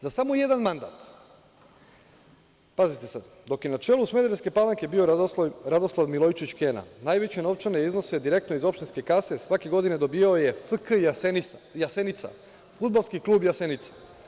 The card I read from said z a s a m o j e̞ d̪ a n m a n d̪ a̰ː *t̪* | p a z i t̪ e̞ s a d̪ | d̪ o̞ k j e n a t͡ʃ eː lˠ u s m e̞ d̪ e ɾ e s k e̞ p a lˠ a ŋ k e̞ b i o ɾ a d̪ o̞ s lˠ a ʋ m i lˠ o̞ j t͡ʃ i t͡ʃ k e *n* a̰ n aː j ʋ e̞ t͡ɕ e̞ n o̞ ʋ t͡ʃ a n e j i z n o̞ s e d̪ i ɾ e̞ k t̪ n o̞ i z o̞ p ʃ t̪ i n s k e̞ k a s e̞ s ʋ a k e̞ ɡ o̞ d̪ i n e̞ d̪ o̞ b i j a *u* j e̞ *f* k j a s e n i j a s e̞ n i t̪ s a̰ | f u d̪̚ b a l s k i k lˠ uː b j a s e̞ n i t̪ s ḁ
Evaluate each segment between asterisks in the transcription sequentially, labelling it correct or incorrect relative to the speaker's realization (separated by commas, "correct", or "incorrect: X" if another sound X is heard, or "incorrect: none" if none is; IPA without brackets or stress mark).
correct, correct, incorrect: o, correct